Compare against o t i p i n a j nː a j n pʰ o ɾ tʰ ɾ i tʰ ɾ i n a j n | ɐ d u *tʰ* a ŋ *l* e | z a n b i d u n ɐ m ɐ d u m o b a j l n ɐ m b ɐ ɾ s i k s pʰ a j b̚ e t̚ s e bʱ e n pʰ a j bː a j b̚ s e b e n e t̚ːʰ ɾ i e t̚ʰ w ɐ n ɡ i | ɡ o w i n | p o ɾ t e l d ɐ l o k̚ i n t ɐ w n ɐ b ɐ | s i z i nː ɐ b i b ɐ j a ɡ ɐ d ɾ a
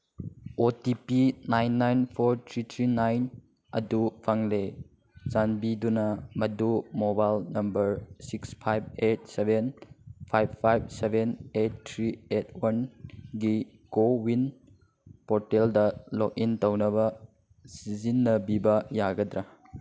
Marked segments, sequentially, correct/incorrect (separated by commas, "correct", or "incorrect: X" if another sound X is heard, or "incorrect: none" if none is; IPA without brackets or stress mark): incorrect: pʰ, correct